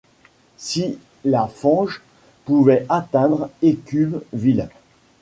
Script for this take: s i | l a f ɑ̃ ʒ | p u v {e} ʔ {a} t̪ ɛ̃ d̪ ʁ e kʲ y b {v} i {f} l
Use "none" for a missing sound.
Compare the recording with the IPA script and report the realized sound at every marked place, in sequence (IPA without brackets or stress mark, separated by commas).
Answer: ɛ, a, v, none